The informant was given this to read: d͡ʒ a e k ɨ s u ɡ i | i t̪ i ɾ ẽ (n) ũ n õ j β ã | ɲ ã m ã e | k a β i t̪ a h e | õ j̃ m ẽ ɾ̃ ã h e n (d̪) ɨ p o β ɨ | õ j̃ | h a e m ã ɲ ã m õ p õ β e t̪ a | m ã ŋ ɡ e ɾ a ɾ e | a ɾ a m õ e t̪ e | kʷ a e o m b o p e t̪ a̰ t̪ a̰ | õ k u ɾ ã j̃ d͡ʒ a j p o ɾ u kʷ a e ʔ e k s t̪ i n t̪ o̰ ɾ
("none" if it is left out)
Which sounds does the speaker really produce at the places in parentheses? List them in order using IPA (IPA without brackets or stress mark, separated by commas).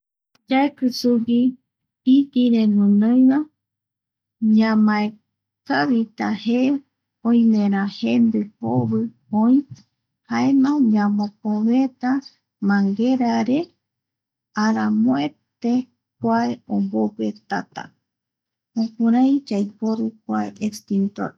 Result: n, d̪